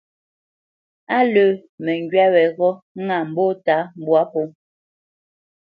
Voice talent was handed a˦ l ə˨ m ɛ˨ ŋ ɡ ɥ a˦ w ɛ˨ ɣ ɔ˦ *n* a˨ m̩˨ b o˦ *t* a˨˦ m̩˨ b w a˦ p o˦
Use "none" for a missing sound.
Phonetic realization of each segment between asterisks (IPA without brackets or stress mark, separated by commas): ŋ, t